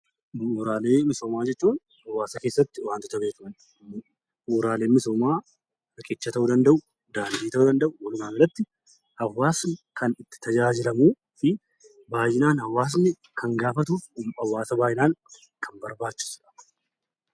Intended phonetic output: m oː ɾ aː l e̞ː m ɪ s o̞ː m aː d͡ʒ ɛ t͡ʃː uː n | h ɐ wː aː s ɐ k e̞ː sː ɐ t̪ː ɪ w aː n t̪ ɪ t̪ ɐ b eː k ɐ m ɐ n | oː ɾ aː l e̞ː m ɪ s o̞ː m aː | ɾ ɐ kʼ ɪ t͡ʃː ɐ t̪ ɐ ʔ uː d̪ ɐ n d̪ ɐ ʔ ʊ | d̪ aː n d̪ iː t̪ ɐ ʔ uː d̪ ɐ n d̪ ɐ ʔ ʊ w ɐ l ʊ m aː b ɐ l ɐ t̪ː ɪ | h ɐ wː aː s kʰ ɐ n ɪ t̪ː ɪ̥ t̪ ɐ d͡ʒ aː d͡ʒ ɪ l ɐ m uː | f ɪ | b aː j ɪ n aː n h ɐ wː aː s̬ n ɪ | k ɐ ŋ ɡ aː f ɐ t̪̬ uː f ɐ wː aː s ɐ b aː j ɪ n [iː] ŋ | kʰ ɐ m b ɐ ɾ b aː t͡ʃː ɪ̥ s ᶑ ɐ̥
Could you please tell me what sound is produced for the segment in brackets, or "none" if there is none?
aː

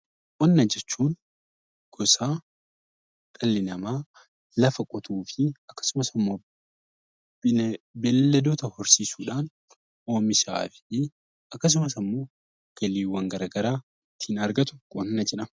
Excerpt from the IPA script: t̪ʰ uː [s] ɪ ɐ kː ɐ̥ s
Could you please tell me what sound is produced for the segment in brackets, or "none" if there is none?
f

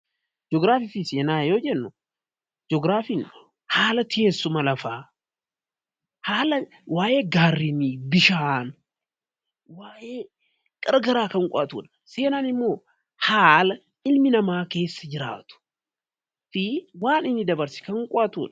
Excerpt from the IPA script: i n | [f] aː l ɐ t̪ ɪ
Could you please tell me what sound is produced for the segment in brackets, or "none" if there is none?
h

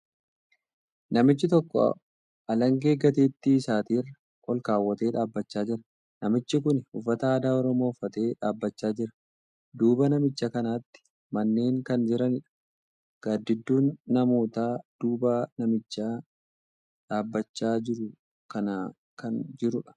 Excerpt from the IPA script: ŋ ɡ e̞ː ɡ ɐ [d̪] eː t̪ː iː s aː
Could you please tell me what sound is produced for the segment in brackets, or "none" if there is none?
t̪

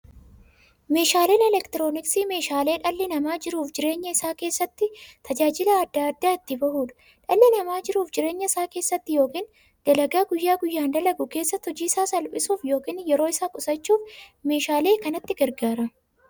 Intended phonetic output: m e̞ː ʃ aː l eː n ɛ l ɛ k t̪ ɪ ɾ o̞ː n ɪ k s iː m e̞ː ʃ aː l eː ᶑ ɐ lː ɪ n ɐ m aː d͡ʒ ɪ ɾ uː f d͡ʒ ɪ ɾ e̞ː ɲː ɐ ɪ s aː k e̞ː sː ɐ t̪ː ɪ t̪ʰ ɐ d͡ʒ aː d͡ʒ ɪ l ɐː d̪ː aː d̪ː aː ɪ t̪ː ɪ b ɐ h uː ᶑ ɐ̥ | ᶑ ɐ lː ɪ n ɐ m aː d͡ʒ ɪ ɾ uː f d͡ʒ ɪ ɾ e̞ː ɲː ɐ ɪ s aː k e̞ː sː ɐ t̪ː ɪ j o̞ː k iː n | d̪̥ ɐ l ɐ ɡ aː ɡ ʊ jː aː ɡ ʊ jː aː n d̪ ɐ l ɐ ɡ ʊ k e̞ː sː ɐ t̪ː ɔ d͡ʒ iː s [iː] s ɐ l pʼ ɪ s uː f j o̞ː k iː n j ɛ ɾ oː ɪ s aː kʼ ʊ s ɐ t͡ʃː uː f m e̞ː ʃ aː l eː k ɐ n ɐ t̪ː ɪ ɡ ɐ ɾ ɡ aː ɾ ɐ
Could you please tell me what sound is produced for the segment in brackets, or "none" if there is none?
aː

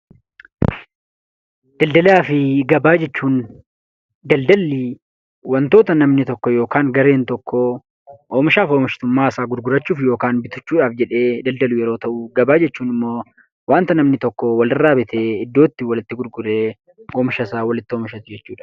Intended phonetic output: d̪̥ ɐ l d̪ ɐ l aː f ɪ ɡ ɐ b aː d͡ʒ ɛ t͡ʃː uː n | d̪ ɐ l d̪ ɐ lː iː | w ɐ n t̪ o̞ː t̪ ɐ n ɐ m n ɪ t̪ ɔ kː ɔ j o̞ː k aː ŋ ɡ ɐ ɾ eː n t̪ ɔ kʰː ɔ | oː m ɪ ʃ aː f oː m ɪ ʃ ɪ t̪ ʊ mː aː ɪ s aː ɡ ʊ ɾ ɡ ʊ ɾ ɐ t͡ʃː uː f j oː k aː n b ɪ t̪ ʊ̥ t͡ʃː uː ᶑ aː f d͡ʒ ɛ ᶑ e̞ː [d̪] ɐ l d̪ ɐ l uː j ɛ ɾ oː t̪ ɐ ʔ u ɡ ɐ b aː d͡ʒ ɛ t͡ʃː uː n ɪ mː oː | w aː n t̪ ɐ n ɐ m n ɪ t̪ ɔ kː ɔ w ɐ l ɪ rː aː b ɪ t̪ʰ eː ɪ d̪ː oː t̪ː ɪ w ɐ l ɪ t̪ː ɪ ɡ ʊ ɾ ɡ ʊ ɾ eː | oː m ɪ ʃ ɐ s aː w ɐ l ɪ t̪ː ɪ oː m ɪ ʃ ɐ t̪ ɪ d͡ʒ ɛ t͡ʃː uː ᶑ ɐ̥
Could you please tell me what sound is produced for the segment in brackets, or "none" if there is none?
d̪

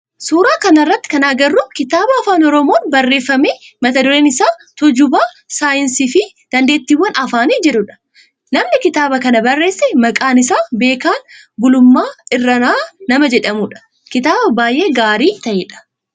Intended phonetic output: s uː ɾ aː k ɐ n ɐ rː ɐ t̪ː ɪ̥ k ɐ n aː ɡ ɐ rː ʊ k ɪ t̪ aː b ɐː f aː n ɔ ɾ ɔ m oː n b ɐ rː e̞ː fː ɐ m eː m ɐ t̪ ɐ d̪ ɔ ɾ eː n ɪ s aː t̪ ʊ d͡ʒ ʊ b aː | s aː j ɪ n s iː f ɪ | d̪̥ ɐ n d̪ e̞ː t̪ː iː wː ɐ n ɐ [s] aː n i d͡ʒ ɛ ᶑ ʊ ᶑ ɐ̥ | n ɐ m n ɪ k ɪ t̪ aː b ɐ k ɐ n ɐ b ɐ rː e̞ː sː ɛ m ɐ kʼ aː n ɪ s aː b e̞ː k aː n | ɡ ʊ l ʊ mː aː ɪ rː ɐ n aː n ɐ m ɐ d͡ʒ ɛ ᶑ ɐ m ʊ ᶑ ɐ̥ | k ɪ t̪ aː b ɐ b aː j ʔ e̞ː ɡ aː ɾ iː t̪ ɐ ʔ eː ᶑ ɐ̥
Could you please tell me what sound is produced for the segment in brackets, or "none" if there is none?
f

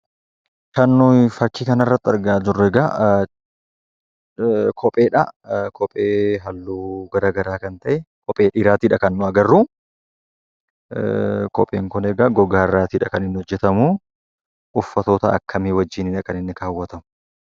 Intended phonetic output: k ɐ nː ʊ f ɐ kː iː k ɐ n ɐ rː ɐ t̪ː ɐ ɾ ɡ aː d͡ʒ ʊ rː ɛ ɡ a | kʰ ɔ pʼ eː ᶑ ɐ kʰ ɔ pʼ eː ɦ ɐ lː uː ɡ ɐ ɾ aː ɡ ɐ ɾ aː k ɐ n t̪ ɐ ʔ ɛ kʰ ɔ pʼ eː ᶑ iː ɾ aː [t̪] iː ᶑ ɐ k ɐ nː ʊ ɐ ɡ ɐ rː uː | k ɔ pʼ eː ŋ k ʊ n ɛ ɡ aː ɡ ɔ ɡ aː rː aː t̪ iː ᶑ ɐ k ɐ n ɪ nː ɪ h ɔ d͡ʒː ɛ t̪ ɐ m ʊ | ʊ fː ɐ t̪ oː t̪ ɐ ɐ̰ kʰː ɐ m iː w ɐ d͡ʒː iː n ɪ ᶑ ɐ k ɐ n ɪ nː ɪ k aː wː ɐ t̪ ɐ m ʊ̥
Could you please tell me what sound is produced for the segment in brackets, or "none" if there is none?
t̪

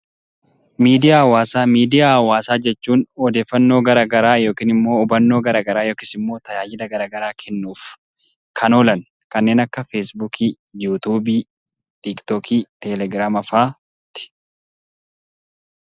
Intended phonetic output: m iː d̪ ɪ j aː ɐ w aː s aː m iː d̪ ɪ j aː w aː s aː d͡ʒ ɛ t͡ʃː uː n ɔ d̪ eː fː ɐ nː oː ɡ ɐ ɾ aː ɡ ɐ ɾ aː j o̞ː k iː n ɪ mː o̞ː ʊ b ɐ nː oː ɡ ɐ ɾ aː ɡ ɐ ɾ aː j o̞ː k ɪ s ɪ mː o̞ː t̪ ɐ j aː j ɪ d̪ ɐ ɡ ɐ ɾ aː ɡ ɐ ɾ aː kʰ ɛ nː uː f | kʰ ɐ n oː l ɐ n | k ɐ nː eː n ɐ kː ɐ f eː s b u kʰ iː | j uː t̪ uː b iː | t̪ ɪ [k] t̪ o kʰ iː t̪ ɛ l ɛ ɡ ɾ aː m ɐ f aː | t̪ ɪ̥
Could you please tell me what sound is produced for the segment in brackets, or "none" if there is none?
k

